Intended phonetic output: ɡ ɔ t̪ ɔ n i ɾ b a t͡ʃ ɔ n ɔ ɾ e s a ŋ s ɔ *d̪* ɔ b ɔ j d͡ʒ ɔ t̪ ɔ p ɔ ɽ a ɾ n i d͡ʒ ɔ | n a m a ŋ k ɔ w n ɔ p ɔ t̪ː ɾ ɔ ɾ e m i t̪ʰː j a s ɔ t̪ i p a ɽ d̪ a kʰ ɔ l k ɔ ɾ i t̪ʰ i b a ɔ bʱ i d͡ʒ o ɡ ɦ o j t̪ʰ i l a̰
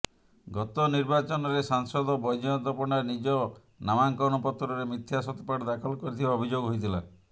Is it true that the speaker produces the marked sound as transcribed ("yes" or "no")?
yes